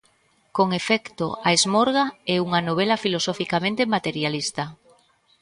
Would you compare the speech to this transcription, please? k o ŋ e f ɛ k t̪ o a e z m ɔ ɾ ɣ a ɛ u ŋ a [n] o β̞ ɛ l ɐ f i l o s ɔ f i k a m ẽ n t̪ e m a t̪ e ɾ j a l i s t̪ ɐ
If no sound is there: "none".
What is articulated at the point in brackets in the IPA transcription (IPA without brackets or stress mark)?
n